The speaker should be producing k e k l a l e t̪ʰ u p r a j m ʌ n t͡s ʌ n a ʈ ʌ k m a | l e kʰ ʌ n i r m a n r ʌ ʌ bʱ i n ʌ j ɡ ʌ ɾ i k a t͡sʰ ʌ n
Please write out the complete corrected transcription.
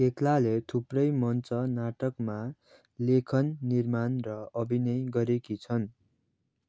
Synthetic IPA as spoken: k e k l a l e t̪ʰ u p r ʌ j m ʌ n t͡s ʌ n a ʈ ʌ k m a | l e kʰ ʌ nː i r m a n r ʌ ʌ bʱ i n ʌ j ɡ ʌ ɾ e k i t͡sʰ ʌ n